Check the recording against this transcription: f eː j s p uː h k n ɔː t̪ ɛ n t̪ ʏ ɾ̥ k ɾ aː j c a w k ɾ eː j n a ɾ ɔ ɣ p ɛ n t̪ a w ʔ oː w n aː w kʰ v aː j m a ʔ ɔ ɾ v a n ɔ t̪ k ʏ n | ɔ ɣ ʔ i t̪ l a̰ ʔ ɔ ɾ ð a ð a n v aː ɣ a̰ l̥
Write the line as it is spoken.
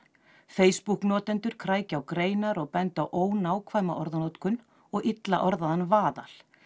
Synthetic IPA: f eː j s p u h k n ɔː t̪ ɛ n t̪ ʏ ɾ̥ kʰ ɾ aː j c a w k ɾ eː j n a ɾ ɔ ɣ p ɛ n t̪ a w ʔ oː w n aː w kʰ v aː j m a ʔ ɔ ɾ ð a n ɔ t̪ k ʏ n | ɔ ɣ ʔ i t̪ l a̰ ʔ ɔ ɾ ð a ð a n v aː ð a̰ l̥